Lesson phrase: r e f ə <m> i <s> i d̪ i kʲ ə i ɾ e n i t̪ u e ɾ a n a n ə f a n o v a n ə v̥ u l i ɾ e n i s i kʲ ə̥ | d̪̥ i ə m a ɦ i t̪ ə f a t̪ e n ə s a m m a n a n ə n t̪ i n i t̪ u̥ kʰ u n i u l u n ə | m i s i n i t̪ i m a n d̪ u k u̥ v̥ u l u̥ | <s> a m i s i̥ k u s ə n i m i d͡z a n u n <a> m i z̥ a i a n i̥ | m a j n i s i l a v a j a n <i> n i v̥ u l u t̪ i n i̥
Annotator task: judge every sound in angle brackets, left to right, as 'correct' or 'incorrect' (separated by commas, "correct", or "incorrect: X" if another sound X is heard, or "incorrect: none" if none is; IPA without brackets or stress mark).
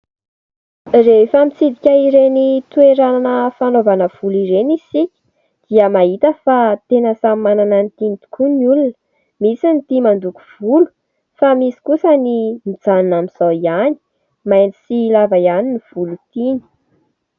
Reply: correct, incorrect: t͡s, incorrect: f, correct, correct